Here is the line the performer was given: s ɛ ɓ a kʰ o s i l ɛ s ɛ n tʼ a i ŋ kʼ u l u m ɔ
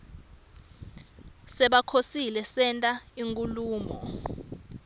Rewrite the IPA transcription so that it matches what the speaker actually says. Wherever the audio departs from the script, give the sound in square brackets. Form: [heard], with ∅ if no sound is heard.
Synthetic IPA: s ɛ ɓ a kʰ o s i l ɛ s ɛ n tʼ a i ŋ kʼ u l [uː] m ɔ